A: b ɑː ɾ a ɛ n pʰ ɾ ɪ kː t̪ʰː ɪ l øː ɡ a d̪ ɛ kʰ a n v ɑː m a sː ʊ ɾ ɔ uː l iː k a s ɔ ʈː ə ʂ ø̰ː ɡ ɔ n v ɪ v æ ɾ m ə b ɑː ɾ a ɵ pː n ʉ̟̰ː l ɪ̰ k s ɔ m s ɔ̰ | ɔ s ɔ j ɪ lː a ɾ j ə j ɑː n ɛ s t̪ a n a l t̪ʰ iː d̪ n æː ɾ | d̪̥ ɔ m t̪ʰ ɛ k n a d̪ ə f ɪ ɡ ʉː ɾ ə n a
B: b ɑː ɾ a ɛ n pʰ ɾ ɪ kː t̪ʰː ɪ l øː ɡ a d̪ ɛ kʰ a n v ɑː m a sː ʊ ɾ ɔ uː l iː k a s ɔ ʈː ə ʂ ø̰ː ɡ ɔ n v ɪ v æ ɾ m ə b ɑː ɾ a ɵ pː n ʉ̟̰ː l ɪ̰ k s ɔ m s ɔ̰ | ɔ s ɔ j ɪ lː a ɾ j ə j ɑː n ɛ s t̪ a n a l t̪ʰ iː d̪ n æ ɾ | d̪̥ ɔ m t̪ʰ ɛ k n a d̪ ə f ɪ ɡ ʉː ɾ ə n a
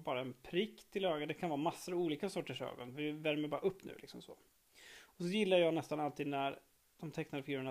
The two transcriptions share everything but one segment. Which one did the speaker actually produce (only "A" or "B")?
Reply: B